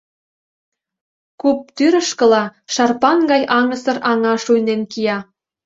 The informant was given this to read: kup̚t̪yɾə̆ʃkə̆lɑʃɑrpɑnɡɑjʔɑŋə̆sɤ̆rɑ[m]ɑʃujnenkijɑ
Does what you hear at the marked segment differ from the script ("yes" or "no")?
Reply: yes